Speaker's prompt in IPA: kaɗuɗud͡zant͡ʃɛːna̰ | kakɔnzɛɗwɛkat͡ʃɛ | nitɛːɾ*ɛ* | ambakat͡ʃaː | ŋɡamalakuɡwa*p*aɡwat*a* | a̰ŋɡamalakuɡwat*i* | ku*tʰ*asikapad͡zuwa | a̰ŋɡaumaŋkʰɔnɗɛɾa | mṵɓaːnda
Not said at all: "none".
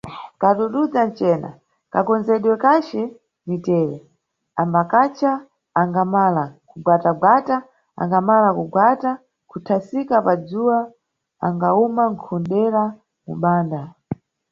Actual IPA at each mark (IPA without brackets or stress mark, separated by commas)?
ɛ, t, a, a, tʰ